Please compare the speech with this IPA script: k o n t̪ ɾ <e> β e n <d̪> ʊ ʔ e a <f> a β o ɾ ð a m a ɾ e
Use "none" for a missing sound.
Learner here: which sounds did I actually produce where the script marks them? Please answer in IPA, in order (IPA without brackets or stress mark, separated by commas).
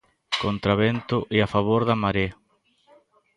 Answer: a, t̪, f